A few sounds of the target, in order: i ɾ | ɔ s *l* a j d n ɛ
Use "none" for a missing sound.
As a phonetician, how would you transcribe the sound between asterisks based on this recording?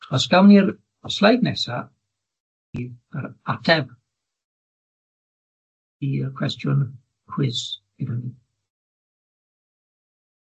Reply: l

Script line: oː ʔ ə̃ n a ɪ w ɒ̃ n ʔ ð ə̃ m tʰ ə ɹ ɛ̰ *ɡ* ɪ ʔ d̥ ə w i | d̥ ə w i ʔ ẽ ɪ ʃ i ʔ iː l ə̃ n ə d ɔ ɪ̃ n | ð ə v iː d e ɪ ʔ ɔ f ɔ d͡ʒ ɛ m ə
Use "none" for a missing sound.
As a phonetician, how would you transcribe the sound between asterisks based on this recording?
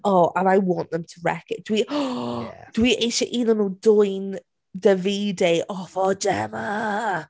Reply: k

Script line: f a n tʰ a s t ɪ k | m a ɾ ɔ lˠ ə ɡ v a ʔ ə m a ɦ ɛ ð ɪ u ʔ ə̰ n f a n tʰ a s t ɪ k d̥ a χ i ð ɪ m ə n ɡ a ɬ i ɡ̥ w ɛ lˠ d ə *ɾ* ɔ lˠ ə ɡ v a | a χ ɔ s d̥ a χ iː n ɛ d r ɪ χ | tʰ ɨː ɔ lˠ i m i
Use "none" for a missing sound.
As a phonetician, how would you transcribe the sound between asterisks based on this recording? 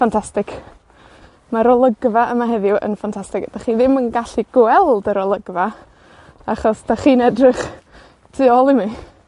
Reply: ɾ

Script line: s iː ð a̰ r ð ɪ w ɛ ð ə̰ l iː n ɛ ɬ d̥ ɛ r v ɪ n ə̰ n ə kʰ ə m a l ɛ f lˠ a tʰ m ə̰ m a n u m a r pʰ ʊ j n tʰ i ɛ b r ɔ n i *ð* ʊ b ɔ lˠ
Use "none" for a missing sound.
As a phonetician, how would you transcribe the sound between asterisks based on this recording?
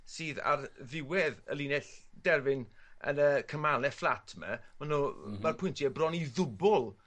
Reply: ð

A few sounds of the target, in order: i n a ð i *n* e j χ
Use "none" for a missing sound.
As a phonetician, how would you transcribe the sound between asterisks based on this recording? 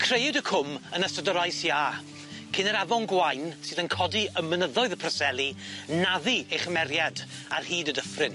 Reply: none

